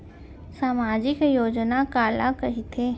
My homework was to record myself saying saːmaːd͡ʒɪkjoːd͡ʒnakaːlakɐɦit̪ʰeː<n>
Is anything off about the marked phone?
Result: yes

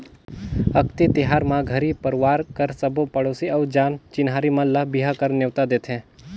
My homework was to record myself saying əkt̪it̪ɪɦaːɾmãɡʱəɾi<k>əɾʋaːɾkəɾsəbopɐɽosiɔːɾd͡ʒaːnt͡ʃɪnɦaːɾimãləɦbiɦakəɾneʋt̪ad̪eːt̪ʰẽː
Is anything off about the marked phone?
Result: yes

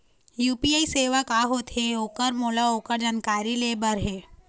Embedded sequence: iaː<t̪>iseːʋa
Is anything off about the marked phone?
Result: yes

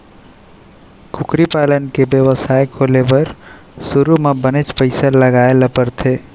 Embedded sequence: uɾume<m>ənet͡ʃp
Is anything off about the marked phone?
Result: yes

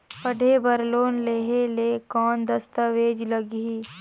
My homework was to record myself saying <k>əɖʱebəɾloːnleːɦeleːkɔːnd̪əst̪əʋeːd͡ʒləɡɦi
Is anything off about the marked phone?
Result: yes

